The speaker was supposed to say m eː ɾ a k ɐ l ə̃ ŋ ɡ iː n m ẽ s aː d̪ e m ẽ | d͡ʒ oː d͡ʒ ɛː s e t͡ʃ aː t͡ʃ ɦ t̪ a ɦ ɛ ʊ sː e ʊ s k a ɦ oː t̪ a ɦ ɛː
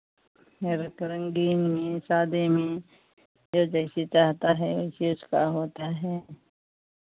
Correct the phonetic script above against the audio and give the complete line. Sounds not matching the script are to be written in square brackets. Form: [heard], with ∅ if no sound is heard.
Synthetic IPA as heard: m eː ɾ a k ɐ [ɾ] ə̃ ŋ ɡ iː n m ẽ s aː d̪ e m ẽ | d͡ʒ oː d͡ʒ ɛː s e t͡ʃ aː [∅] ɦ t̪ a ɦ ɛ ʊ [s] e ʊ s k a ɦ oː t̪ a ɦ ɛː